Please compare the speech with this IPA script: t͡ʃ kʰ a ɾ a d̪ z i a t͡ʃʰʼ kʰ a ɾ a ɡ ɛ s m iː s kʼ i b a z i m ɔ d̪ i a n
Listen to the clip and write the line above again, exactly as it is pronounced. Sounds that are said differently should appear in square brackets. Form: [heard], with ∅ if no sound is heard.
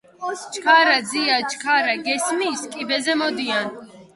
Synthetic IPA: t͡ʃ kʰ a ɾ a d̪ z i a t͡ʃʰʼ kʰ a ɾ a ɡ ɛ s m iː s kʼ i b [ɛ] z [ɛ] m ɔ d̪ i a n

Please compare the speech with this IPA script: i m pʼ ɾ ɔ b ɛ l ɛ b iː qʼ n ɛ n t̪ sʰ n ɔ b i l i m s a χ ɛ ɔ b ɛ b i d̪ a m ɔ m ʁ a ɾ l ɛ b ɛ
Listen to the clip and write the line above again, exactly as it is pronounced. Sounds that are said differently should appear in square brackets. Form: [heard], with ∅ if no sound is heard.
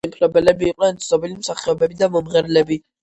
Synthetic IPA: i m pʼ ɾ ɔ b ɛ l ɛ b iː qʼ n ɛ n t̪ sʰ n ɔ b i l i m s a χ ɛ ɔ b ɛ b i d̪ a m ɔ m ʁ [ɛ] ɾ l ɛ b [i]

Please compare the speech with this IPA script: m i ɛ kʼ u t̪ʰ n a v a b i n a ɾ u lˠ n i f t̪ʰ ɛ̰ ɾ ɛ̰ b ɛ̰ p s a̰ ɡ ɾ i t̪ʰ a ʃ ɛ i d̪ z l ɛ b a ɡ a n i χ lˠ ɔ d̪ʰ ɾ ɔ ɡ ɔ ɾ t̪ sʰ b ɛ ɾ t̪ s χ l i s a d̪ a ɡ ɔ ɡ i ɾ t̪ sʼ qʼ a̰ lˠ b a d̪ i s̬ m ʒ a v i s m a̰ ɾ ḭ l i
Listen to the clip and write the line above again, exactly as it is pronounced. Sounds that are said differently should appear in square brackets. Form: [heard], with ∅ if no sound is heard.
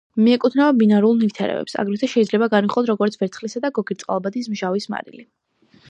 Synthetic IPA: m i ɛ kʼ u t̪ʰ n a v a b i n a ɾ u lˠ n i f t̪ʰ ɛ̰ ɾ ɛ̰ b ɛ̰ p s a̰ ɡ ɾ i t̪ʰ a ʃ ɛ i d̪ z l ɛ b a ɡ a n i χ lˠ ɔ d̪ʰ ɾ ɔ ɡ ɔ ɾ t̪ sʰ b ɛ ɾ t̪ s χ l i s a d̪ a ɡ ɔ ɡ i ɾ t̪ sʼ qʼ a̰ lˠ b a d̪ i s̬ m ʒ a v i s m a̰ ɾ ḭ l i

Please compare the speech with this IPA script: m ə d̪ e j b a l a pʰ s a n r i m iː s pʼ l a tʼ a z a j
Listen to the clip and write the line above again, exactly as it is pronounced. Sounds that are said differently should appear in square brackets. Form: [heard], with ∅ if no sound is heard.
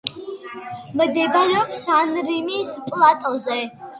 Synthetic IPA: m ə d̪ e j b a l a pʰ s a n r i m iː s pʼ l a tʼ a z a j

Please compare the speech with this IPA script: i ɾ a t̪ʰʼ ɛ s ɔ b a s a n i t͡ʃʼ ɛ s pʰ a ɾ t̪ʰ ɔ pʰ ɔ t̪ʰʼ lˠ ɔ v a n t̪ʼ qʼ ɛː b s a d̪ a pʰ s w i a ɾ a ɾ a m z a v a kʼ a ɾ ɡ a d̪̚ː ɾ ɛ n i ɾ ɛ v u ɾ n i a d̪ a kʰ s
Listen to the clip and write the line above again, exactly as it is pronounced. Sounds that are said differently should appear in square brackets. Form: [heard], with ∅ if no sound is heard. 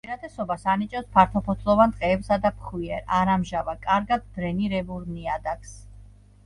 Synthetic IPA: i ɾ a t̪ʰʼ ɛ s ɔ b a s a n i t͡ʃʼ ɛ s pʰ a ɾ t̪ʰ ɔ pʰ ɔ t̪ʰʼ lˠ ɔ v a n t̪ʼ qʼ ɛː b s a d̪ a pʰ [χ] w i [ɛ] ɾ a ɾ a m [ʒ] a v a kʼ a ɾ ɡ a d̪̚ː ɾ ɛ n i ɾ ɛ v u ɾ n i a d̪ a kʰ s

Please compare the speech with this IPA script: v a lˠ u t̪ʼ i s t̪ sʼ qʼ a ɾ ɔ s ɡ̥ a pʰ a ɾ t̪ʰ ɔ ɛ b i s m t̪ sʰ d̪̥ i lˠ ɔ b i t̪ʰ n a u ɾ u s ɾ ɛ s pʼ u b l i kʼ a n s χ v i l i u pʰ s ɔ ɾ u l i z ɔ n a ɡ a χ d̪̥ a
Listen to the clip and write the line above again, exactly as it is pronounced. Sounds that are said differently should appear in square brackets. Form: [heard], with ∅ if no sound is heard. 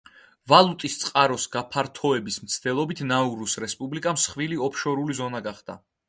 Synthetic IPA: v a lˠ u t̪ʼ i s t̪ sʼ qʼ a ɾ ɔ s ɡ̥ a pʰ a ɾ t̪ʰ ɔ ɛ b i s m t̪ sʰ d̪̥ [ɛ] lˠ ɔ b i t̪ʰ n a u ɾ u s ɾ ɛ s pʼ u b l i kʼ a [m] s χ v i l i [ɔ] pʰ [ʃ] ɔ ɾ u l i z ɔ n a ɡ a χ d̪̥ a

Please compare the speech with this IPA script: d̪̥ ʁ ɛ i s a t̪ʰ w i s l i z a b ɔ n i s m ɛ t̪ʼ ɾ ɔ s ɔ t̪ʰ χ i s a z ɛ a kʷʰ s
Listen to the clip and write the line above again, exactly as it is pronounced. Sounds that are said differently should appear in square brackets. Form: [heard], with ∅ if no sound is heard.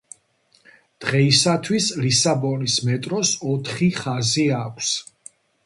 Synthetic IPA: d̪̥ ʁ ɛ i s a t̪ʰ w i s l i [s] a b ɔ n i s m ɛ t̪ʼ ɾ ɔ s ɔ t̪ʰ χ i [χ] a z [i] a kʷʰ s

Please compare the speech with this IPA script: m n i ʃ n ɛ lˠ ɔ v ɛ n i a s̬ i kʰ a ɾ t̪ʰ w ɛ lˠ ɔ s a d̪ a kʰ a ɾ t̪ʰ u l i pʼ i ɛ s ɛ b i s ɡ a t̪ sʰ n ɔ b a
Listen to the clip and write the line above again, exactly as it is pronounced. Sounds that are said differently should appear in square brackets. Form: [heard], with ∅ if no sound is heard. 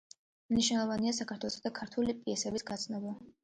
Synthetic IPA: m n i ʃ n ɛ lˠ ɔ v [a] n i a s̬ [a] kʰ a ɾ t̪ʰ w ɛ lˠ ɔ s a d̪ a kʰ a ɾ t̪ʰ u l i pʼ i ɛ s ɛ b i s ɡ a t̪ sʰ n ɔ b a

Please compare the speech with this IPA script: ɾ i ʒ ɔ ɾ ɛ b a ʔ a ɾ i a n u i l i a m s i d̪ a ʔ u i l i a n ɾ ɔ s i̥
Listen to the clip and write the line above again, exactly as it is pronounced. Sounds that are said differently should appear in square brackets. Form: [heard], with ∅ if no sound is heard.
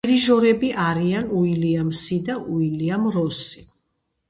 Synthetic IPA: ɾ i ʒ ɔ ɾ ɛ b [i] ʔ a ɾ i a n u i l i a m s i d̪ a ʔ u i l i a [m] ɾ ɔ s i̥

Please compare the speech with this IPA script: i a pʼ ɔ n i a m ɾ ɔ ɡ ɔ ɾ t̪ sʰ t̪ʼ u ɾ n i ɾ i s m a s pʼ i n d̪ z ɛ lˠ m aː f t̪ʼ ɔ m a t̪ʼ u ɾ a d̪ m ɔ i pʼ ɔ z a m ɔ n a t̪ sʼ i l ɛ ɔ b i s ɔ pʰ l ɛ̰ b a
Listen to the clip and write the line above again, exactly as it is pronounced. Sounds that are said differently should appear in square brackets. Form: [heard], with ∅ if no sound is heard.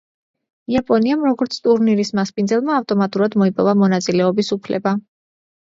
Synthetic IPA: i a pʼ ɔ n i a m ɾ ɔ ɡ ɔ ɾ t̪ sʰ t̪ʼ u ɾ n i ɾ i s m a s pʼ i n d̪ z ɛ lˠ m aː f t̪ʼ ɔ m a t̪ʼ u ɾ a d̪ m ɔ i pʼ ɔ [v] a m ɔ n a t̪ sʼ i l ɛ ɔ b i s [u] pʰ l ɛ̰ b a

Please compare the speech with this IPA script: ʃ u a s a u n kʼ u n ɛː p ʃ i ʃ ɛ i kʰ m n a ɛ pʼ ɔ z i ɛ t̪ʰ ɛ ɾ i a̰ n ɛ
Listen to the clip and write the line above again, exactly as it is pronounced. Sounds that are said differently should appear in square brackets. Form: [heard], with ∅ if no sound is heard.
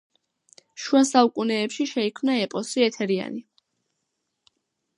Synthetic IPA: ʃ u a s a u [∅] kʼ u n ɛː p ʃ i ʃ ɛ i kʰ m n a ɛ pʼ ɔ [s] i ɛ t̪ʰ ɛ ɾ i a̰ n [i]

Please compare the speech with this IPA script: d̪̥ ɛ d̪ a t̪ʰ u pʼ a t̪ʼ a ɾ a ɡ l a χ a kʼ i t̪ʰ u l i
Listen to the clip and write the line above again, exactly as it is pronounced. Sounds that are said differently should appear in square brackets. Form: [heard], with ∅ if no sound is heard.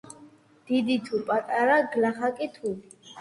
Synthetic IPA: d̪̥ [i] d̪ [i] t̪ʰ u pʼ a t̪ʼ a ɾ a ɡ l a χ a kʼ i t̪ʰ u l i

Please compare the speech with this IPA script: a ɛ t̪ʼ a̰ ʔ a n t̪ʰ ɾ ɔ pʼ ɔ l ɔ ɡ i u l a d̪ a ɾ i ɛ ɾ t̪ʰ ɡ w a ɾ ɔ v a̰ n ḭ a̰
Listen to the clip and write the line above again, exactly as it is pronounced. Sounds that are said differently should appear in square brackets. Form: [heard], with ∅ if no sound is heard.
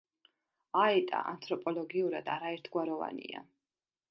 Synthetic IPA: a ɛ t̪ʼ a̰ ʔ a n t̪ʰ ɾ ɔ pʼ ɔ l ɔ ɡ i u [ɾ] a d̪ a ɾ [a] ɛ ɾ t̪ʰ ɡ w a ɾ ɔ v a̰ n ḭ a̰

